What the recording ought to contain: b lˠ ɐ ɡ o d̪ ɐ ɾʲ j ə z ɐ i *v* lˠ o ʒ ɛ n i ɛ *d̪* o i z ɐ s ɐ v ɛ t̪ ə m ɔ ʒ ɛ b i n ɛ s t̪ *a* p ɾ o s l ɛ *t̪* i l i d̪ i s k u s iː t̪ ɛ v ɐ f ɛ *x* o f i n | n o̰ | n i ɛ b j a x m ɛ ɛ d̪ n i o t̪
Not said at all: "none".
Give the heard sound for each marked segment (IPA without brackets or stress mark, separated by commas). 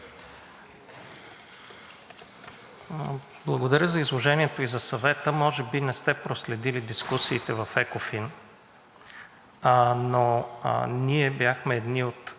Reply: z, t̪, ɛ, d̪, k